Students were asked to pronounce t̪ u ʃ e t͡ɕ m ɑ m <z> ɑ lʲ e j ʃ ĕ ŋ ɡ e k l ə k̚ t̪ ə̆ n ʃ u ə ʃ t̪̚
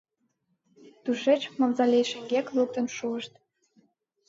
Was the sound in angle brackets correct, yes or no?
yes